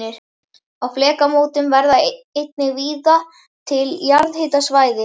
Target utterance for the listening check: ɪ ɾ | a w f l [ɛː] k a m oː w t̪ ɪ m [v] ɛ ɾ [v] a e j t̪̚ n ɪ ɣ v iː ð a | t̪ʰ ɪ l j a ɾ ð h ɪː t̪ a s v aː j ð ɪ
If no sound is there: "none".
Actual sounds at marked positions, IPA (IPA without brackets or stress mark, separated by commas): ɛː, v, ð